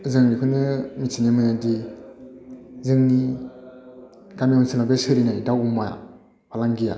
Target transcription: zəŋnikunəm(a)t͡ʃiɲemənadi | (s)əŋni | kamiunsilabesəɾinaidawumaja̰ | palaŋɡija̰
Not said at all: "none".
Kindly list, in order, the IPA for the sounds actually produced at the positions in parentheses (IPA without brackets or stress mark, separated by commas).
i, z